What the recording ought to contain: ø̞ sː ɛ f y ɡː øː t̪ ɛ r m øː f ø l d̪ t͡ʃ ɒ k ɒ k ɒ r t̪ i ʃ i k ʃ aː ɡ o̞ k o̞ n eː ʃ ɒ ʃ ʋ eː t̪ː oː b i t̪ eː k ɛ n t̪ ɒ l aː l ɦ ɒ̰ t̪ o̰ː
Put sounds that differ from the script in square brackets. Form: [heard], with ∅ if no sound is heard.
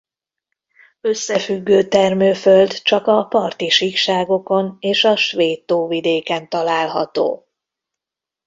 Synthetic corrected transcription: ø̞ sː ɛ f y ɡː øː t̪ ɛ r m øː f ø l d̪ t͡ʃ ɒ k ɒ [p] ɒ r t̪ i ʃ i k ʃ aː ɡ o̞ k o̞ n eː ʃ ɒ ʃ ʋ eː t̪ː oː [v] i [d̪] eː k ɛ n t̪ ɒ l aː l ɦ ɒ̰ t̪ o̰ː